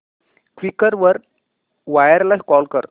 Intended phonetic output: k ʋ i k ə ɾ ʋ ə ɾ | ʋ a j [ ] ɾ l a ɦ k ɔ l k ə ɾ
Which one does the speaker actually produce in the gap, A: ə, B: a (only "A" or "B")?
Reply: A